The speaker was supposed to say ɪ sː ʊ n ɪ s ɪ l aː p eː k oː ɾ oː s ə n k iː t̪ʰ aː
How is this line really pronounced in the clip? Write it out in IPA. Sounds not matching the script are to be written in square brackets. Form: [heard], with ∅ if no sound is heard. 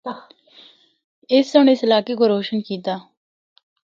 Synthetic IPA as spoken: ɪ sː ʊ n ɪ s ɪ l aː [k] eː k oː ɾ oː [ʃ] ə n k iː [t̪] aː